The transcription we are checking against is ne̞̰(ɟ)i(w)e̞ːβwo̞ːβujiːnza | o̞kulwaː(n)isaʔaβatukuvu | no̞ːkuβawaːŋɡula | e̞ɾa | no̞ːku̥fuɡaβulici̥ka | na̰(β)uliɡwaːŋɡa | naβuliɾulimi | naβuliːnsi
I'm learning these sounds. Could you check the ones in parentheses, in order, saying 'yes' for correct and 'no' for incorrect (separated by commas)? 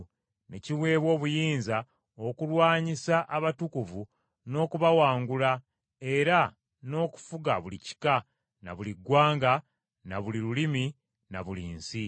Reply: no, yes, no, yes